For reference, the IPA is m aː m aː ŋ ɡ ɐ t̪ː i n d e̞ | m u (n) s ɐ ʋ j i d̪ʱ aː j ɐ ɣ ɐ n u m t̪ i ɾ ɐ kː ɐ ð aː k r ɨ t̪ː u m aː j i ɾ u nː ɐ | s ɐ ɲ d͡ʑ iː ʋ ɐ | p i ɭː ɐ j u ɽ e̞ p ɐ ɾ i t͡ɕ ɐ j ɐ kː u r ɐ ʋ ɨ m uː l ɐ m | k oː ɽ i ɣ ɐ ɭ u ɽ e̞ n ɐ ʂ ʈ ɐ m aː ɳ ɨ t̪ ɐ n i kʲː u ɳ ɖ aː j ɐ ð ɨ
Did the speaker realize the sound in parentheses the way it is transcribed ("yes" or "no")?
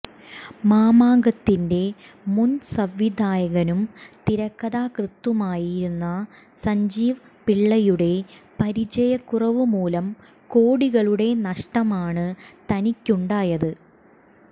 yes